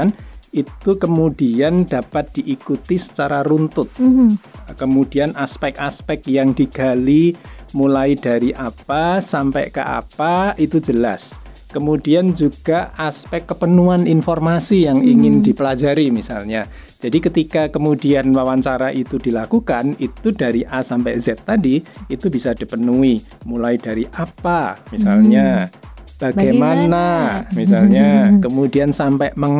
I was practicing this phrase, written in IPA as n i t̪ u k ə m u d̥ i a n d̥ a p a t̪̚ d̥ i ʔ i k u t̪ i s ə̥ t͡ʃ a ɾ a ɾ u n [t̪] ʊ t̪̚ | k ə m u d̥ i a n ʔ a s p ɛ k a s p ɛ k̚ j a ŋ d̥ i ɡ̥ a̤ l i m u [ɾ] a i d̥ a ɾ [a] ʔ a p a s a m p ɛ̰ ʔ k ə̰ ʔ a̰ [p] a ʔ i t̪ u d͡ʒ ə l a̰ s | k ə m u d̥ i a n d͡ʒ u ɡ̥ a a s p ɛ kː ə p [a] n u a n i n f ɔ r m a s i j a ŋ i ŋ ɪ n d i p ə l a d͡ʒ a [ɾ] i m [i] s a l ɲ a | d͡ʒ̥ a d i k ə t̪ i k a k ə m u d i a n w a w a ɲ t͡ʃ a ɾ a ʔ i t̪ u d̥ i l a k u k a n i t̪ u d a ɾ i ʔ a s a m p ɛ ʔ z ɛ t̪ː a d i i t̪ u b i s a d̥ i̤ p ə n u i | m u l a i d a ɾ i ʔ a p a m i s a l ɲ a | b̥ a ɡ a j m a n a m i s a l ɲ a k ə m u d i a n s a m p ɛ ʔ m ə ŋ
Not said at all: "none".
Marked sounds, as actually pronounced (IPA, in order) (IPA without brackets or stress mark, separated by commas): t̪, l, i, p, ə, ɾ, i